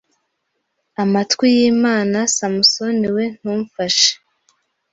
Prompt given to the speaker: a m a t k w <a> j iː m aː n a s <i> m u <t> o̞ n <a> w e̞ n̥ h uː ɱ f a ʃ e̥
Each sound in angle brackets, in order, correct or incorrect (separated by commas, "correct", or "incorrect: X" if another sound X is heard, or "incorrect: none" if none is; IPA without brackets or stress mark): incorrect: i, incorrect: a, incorrect: s, incorrect: i